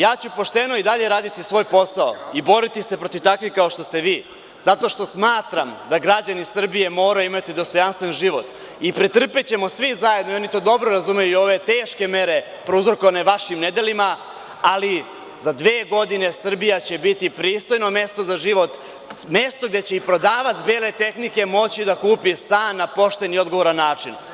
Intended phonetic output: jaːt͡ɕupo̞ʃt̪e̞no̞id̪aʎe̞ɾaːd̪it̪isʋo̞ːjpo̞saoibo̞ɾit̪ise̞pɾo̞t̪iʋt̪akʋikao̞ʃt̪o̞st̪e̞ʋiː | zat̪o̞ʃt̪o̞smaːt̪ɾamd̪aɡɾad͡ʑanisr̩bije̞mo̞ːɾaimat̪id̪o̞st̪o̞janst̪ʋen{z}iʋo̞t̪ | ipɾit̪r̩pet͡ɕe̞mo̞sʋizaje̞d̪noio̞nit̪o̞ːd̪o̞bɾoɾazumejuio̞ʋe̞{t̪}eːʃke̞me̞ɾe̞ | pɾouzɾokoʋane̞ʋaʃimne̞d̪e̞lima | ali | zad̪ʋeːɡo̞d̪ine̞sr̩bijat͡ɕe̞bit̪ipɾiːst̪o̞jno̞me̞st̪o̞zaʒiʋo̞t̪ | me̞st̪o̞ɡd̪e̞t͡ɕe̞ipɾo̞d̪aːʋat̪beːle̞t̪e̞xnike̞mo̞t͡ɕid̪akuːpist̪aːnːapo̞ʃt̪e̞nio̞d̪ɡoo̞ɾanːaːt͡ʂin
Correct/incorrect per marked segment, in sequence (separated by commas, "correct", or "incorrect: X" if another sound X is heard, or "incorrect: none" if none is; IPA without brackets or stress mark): incorrect: ʒ, correct